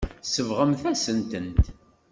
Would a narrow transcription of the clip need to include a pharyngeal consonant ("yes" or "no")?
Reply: no